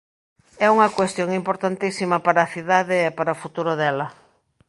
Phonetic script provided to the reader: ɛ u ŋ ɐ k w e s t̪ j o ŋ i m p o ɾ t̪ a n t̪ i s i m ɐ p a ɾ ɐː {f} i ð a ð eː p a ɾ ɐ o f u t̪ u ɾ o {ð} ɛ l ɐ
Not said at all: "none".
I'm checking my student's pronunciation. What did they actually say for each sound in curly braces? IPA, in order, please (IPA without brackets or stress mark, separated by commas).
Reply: θ, ð